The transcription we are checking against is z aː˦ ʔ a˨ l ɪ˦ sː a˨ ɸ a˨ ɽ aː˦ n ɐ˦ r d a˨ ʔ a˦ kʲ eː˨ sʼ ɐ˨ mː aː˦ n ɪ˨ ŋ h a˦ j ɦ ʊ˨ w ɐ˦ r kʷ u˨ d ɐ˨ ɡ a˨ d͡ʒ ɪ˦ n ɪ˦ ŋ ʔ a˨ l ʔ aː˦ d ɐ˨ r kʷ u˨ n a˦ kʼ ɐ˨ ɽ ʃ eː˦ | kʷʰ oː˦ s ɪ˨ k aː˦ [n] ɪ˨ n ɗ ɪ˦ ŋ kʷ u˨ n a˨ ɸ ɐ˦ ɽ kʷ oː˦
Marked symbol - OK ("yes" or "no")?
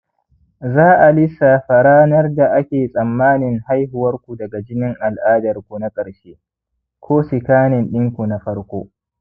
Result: yes